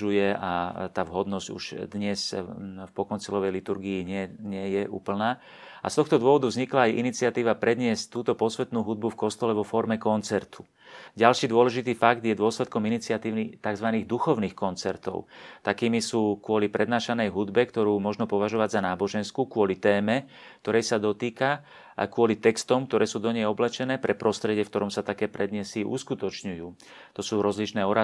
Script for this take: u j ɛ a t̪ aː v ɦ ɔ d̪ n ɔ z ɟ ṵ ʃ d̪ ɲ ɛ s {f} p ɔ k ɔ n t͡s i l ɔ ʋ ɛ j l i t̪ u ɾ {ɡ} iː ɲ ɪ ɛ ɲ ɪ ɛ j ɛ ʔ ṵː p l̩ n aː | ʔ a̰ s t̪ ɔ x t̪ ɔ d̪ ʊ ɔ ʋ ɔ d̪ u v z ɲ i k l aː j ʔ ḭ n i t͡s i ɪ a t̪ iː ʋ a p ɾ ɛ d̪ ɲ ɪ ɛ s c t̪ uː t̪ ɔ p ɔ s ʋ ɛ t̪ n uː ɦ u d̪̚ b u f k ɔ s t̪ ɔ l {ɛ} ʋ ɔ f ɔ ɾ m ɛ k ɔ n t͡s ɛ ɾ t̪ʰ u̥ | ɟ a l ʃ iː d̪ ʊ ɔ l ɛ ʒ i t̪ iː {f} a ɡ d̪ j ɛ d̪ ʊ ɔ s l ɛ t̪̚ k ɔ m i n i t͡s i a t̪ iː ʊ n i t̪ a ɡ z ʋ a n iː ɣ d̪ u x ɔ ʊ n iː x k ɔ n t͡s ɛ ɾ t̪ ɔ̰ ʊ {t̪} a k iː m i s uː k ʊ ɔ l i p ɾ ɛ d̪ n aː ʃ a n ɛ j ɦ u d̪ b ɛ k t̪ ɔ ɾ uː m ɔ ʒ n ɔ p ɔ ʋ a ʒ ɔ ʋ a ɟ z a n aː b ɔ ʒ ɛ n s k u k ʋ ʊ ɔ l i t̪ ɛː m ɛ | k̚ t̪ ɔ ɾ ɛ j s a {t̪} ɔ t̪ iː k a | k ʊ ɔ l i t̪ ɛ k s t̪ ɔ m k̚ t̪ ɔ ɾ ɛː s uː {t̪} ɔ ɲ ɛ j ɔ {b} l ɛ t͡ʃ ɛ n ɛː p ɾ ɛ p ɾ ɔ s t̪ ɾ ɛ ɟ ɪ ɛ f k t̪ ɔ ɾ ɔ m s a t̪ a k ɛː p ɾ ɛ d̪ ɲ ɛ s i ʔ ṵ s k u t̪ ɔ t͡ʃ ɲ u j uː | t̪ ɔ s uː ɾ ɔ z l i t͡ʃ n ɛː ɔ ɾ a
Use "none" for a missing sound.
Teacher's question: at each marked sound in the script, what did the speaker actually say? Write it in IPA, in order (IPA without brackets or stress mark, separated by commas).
f, ɡ, ɛ, f, t̪, d̪, d̪, b